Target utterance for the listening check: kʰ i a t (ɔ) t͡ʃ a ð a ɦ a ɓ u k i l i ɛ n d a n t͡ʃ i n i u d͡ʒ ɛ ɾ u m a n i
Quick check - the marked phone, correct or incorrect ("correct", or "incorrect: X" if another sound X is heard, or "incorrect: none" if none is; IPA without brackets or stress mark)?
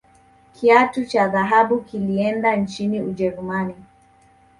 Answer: incorrect: u